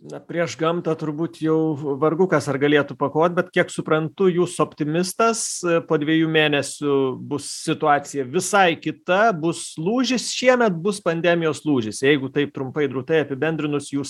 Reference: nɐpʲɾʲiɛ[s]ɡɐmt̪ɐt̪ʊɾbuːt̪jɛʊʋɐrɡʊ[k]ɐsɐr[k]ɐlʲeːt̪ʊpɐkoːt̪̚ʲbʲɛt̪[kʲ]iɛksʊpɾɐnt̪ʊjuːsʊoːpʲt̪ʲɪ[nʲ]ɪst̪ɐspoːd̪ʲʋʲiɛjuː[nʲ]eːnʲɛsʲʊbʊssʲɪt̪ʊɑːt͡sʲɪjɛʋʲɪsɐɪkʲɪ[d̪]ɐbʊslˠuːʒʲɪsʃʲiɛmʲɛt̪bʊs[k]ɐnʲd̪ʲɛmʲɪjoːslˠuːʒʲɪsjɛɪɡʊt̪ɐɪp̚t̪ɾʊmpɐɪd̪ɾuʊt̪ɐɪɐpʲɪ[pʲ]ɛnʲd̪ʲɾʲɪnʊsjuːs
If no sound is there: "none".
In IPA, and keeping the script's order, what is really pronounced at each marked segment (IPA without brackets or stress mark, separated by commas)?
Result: ʃ, k, ɡ, kʲ, mʲ, mʲ, t̪, p, bʲ